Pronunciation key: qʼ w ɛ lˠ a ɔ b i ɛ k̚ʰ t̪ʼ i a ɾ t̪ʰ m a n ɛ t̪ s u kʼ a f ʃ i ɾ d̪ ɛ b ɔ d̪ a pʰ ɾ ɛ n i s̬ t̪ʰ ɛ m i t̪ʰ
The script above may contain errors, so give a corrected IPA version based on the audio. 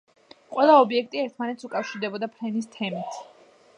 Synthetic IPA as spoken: qʼ w ɛ lˠ a ɔ b i ɛ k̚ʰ t̪ʼ i ɛ ɾ t̪ʰ m a n ɛ t̪ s u kʼ a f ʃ i ɾ d̪ ɛ b ɔ d̪ a pʰ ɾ ɛ n i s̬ t̪ʰ ɛ m i t̪ʰ